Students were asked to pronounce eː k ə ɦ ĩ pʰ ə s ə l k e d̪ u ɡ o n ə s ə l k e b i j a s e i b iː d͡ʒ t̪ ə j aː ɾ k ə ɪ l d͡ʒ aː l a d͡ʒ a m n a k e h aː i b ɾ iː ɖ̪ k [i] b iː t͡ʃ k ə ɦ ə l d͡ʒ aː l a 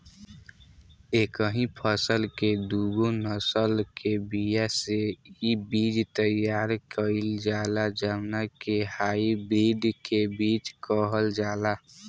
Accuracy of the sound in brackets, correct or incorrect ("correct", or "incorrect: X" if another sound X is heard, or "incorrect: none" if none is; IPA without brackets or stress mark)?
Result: incorrect: e